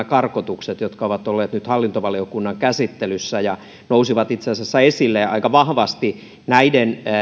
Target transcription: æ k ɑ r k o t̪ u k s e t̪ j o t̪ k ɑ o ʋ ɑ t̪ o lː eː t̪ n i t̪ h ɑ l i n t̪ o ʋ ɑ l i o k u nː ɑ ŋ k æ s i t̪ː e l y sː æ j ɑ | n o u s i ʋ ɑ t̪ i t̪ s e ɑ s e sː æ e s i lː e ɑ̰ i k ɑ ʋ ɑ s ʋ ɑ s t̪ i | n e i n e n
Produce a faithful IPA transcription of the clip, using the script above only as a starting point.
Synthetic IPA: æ k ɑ r k o t̪ u k s e t̪ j o t̪ k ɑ o ʋ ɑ t̪ o lː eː t̪ n y t̪ h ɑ lː i n t̪ o ʋ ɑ l i o k u nː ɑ ŋ k æ s i t̪ː e l y sː æ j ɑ | n o u s i ʋ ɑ t̪ i t̪ s e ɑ s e sː æ e s i lː e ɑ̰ i k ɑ ʋ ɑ h ʋ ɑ s t̪ i | n æ i d e n